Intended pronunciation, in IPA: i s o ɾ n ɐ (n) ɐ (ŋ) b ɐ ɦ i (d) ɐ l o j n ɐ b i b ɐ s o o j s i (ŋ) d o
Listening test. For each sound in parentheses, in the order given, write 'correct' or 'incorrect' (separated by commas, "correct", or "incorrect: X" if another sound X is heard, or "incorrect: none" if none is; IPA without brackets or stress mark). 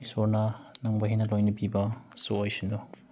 correct, correct, incorrect: n, incorrect: n